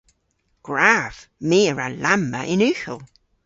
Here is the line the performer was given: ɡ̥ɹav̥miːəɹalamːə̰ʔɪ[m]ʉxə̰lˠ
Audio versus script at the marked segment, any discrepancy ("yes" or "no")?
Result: yes